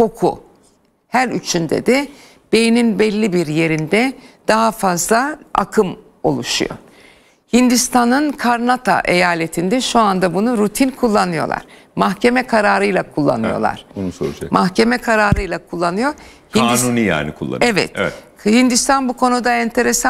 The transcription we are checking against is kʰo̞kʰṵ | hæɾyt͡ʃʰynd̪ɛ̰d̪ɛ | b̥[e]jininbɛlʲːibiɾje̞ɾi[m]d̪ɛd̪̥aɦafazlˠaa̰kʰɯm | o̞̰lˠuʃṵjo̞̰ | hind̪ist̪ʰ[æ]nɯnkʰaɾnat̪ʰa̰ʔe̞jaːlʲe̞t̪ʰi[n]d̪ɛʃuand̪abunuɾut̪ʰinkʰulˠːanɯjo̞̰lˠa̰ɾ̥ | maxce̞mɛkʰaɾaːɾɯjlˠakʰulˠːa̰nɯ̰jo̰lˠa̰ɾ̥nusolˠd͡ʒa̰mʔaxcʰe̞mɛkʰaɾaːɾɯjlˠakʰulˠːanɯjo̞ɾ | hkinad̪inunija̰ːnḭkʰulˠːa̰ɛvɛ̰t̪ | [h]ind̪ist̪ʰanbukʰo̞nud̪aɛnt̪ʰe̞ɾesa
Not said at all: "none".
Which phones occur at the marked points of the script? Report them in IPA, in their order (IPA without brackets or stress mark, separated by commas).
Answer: e, n, a, n, h